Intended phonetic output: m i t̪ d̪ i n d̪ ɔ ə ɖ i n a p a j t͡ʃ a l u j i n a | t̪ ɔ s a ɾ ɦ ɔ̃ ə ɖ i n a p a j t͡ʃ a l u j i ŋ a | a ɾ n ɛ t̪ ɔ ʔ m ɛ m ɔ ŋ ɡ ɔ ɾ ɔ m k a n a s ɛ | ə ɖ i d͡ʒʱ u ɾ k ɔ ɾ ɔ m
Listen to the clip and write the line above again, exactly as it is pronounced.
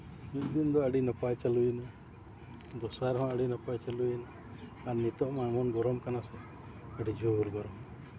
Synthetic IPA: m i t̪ d̪ i n d̪ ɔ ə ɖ i n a p a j t͡ʃ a l u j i n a | d̪ ɔ s a ɾ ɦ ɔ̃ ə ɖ i n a p a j t͡ʃ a l u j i n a | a ɾ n i t̪ ɔ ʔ m a m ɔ n ɡ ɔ ɾ ɔ m k a n a s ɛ | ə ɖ i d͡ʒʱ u ɾ ɡ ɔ ɾ ɔ m